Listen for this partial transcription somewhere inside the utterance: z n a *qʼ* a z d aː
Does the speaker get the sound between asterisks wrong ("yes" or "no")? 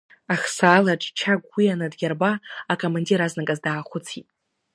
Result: yes